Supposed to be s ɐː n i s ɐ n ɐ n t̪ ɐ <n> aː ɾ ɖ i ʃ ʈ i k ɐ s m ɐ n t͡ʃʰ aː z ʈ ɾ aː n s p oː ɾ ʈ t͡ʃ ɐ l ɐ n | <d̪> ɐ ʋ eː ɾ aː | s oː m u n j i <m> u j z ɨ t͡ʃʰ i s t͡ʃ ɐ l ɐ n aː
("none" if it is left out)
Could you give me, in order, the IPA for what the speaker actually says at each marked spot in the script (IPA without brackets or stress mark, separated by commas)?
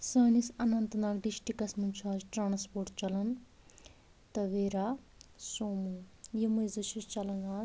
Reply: n, t̪, m